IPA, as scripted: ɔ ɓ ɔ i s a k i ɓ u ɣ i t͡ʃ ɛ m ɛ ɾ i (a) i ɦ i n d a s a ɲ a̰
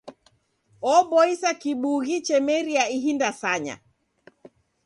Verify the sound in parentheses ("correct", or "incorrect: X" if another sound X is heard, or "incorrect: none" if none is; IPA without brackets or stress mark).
correct